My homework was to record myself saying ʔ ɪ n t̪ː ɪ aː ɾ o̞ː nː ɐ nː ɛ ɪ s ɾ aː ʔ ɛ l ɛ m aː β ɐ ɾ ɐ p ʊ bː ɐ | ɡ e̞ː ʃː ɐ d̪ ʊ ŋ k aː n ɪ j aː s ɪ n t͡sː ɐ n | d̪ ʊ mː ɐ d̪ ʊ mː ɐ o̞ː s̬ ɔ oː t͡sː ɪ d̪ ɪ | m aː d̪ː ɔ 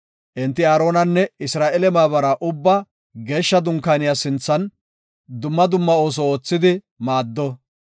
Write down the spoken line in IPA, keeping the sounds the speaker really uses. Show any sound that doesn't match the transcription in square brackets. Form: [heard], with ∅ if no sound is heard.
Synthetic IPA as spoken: ʔ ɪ n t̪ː ɪ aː ɾ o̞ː [n] ɐ nː ɛ ɪ s ɾ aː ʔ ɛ l ɛ m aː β ɐ ɾ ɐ [ʔ] ʊ bː ɐ | ɡ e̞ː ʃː ɐ d̪ ʊ ŋ k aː n ɪ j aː s ɪ n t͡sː ɐ n | d̪ ʊ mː ɐ d̪ ʊ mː ɐ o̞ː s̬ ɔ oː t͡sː ɪ d̪ ɪ | m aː d̪ː ɔ